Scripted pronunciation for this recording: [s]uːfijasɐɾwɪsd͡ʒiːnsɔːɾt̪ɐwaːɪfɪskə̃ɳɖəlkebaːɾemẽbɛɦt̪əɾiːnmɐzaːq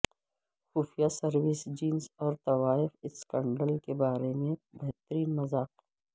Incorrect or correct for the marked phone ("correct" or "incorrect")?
incorrect